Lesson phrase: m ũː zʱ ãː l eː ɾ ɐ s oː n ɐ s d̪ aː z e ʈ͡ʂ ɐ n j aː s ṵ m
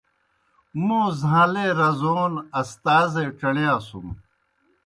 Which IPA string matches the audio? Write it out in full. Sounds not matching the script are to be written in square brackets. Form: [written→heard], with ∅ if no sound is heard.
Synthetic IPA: m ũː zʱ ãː l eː ɾ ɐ [s→z] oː n ɐ s [d̪→t̪] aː z e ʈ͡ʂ ɐ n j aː s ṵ m